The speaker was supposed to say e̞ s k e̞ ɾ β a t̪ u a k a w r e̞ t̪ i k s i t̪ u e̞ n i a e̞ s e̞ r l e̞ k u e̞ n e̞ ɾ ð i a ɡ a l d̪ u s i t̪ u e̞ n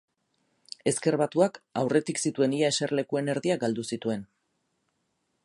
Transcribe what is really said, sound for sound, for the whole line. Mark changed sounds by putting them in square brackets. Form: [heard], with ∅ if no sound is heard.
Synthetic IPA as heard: e̞ s k e̞ ɾ β a t̪ u a k a w r e̞ t̪ i k s i t̪ u e̞ n i a e̞ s e̞ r l e̞ k u e̞ n e̞ ɾ ð i a ɡ a l d̪ u s i t̪ u e̞ n